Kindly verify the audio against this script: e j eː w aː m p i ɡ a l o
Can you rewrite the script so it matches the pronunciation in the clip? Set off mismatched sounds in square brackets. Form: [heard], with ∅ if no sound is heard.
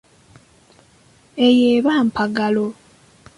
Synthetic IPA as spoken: e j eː [β] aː m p [a] ɡ a l o

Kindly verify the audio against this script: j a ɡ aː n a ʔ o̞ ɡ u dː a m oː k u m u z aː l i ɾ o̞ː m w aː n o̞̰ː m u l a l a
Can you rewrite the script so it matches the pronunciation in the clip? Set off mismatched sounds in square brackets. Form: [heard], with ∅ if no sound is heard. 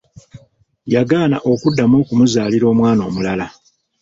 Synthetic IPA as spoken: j a ɡ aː n a ʔ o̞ [k] u dː a m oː k u m u z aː l i ɾ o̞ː m w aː n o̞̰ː m u l a l a

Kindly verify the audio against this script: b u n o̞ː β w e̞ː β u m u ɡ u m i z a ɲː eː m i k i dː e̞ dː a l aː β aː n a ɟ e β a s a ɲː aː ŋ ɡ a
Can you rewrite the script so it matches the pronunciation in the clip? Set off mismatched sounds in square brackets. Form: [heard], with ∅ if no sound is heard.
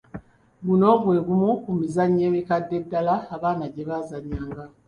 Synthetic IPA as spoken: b u n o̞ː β w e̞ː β u m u [k] u m i z a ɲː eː m i k [a] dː e̞ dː a l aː β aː n a ɟ e β a [z] a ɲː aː ŋ ɡ a

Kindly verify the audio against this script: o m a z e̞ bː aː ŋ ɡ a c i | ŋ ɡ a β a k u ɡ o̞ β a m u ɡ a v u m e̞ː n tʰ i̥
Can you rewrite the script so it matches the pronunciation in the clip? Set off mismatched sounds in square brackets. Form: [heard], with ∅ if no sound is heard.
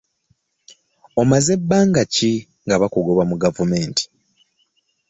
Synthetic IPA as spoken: o m a z e̞ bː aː ŋ ɡ a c i | ŋ ɡ a β a k u ɡ o̞ β a m u ɡ a v u m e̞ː n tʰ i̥

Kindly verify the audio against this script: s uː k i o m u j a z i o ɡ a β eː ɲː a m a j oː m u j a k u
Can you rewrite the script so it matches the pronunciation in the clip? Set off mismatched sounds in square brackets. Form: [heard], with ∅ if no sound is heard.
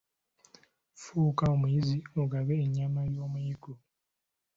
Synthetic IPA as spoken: [f] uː k [a] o m u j [i] z i o ɡ a β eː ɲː a m a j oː m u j [i] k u

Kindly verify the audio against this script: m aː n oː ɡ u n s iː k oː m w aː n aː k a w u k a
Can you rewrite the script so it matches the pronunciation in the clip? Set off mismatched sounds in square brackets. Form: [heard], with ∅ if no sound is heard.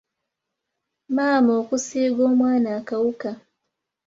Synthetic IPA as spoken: m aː [m] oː [k] u [∅] s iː [ɡ] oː m w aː n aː k a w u k a

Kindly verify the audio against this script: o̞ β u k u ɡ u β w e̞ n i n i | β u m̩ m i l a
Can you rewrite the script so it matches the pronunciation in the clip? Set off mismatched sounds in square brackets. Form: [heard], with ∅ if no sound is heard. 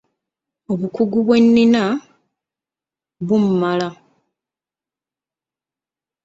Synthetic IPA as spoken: o̞ β u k u ɡ u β w e̞ [nː] i n [a] | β u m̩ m [a] l a

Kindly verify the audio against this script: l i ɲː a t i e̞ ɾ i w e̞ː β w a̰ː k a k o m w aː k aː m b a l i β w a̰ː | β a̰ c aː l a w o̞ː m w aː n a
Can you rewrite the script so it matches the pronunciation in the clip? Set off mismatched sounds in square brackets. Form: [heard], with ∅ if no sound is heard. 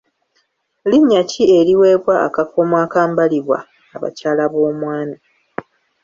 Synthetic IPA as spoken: l i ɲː a [c] i e̞ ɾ i w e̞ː β w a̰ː k a k o m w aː k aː m b a l i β w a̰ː | β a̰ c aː l a [β] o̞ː m w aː n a

